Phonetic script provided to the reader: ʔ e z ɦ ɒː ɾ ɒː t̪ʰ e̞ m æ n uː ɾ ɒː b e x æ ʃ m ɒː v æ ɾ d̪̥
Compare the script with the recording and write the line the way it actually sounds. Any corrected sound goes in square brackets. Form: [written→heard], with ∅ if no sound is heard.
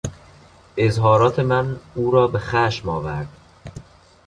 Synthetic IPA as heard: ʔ e z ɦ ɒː ɾ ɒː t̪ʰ e̞ m æ n uː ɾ ɒː b e x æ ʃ m ɒː v æ ɾ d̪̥